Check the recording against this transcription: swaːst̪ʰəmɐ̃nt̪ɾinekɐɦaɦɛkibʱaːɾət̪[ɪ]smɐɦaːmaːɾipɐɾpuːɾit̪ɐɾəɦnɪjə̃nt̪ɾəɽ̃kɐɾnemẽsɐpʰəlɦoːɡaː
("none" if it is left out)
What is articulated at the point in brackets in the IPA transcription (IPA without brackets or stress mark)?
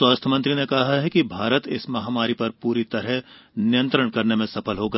ɪ